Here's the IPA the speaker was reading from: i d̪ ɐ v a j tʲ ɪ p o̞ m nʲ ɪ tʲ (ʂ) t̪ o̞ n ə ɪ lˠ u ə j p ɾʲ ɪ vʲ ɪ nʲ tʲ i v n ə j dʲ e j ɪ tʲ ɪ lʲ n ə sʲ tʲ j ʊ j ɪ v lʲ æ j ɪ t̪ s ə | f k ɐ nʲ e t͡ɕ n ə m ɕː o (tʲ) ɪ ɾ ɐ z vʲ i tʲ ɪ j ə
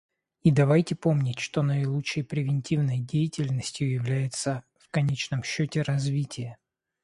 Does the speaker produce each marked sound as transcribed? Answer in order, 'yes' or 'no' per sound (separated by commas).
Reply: yes, yes